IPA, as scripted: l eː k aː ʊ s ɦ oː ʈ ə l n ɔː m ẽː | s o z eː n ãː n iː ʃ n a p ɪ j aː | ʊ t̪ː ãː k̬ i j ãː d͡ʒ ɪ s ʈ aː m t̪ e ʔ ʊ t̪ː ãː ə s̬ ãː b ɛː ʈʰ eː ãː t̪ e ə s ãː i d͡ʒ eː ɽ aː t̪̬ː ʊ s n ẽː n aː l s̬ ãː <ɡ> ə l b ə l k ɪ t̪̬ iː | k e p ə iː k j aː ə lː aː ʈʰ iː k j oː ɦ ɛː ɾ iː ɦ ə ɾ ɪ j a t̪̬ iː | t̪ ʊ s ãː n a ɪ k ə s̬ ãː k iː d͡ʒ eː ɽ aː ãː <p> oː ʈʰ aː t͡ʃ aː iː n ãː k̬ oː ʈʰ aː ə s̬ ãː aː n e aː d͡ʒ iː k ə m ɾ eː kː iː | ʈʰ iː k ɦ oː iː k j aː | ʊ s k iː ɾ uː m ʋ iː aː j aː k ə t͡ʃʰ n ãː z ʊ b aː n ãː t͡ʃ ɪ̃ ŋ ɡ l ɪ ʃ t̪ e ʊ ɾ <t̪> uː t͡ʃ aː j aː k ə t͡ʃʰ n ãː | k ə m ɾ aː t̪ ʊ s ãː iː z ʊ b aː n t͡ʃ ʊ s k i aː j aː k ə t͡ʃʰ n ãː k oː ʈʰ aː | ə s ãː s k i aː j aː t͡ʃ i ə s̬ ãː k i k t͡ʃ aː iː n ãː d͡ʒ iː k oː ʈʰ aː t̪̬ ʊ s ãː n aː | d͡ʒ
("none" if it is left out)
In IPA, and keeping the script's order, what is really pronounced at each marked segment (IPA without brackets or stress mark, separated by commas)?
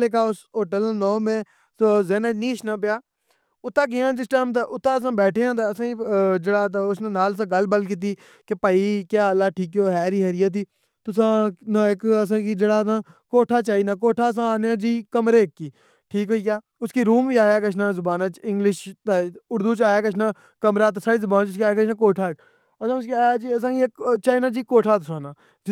ɡ, k, d̪